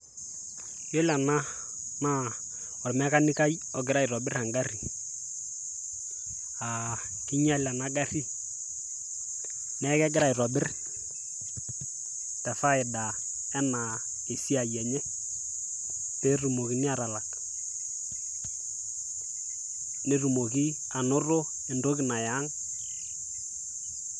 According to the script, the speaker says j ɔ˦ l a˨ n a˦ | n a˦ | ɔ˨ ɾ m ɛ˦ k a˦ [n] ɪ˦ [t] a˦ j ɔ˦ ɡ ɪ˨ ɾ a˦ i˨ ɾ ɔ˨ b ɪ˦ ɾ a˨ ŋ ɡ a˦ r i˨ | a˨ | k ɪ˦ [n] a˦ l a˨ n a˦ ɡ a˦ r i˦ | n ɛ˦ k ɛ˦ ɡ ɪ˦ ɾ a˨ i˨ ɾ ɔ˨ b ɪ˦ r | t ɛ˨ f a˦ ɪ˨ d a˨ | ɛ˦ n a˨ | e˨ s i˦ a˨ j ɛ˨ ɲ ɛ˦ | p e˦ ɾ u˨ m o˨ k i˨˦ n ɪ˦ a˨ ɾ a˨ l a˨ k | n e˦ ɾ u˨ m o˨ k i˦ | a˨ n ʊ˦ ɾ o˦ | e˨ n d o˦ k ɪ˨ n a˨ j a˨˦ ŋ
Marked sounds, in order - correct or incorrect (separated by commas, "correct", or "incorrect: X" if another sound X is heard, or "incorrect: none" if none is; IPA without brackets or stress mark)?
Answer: correct, incorrect: k, incorrect: ɲ